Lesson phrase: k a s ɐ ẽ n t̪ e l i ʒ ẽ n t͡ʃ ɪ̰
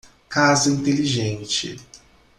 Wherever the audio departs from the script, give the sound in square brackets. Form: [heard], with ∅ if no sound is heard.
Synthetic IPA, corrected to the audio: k a [z] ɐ [ĩ] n t̪ e l i ʒ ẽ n t͡ʃ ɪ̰